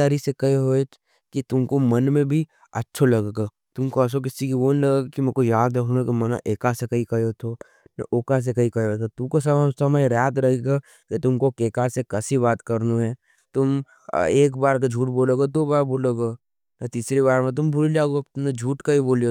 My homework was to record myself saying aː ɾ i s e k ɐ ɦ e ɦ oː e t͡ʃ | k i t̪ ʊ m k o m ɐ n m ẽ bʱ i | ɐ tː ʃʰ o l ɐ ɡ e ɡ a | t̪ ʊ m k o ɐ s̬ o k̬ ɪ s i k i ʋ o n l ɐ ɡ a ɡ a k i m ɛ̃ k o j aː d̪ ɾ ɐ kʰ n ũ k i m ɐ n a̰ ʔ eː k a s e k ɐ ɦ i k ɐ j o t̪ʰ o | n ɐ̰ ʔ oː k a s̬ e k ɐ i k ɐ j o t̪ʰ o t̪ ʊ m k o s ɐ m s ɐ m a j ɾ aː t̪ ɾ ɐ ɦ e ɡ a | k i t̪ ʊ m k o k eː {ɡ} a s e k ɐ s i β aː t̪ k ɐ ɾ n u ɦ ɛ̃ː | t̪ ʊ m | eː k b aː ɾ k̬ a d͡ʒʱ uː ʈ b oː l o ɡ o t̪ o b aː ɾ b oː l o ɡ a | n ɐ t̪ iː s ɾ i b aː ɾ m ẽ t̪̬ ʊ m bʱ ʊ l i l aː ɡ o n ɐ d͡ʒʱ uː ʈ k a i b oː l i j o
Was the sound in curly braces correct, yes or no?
no